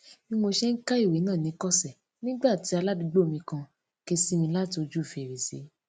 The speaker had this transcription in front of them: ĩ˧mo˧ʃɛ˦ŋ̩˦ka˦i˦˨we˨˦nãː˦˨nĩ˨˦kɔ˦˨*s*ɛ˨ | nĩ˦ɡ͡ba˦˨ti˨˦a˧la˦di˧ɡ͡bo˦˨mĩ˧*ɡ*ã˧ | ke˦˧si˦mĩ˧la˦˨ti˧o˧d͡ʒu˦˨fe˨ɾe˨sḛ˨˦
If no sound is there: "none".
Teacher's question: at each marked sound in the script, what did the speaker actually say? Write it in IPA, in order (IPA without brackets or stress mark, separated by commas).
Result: s, k